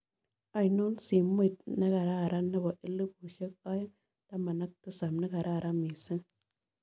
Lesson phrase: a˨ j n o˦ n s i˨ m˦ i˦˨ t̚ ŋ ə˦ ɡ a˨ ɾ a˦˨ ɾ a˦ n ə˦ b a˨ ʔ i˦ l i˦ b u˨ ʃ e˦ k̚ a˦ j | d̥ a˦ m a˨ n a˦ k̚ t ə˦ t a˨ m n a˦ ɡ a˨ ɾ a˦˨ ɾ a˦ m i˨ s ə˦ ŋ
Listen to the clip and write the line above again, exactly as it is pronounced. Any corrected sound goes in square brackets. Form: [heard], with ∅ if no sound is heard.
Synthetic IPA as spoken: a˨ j n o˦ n s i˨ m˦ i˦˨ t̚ [n] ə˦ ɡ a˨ ɾ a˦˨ ɾ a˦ n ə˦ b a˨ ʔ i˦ l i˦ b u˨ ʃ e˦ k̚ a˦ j | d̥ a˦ m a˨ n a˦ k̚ t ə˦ [s] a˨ m n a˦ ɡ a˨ ɾ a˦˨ ɾ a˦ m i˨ s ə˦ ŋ